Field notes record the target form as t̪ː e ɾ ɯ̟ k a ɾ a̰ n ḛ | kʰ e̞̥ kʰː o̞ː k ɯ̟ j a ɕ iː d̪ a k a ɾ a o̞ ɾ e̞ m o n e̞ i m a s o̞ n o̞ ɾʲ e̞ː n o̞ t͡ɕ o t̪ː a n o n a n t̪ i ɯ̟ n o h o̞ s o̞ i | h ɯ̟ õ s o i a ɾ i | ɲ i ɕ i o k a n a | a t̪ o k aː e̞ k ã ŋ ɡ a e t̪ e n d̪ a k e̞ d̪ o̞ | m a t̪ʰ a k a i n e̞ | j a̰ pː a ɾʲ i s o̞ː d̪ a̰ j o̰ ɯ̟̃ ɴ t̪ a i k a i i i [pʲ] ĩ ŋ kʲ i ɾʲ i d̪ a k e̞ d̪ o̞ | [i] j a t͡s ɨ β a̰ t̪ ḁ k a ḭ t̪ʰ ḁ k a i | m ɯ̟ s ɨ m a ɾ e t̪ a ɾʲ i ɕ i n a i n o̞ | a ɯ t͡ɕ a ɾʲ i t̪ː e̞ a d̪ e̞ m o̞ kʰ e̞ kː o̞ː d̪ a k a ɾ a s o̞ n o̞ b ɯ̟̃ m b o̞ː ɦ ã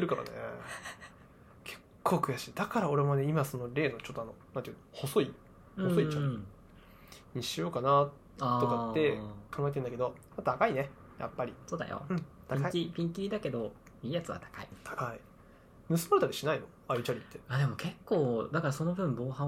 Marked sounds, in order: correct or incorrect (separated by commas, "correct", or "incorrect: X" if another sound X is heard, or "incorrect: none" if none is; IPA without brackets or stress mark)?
correct, incorrect: iː